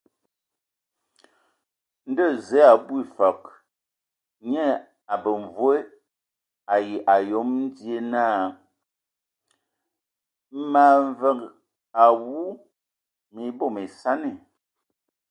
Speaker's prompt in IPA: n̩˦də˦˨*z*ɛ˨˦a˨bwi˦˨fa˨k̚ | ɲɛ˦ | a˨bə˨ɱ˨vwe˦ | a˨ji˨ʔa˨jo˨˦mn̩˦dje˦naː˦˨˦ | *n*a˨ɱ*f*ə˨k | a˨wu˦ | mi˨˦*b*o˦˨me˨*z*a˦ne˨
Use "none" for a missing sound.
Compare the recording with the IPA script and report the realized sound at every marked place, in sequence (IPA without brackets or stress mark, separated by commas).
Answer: z, m, v, b, s